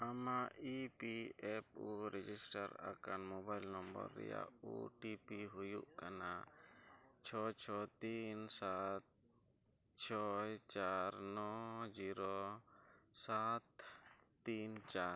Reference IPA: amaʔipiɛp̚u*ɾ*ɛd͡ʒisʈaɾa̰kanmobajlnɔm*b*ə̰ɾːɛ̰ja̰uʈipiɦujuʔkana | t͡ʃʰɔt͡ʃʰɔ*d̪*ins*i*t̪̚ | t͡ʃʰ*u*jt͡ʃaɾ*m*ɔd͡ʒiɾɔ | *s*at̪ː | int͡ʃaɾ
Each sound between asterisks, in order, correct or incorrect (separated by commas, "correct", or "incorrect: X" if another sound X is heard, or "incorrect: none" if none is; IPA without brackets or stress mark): correct, correct, incorrect: t̪, incorrect: a, incorrect: ɔ, incorrect: n, correct